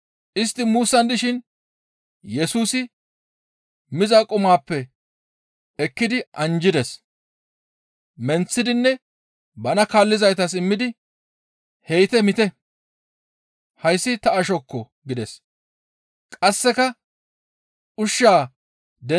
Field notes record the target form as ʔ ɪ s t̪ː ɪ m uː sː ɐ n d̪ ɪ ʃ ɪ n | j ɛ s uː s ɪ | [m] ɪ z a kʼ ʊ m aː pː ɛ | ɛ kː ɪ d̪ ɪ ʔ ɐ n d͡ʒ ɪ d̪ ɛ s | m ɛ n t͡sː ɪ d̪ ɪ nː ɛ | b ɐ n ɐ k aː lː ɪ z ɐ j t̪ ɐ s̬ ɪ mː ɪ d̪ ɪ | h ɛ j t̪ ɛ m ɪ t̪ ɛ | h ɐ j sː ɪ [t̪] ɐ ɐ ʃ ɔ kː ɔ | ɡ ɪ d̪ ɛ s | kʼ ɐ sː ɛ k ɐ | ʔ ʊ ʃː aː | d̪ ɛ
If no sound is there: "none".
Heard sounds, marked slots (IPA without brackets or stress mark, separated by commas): m, t̪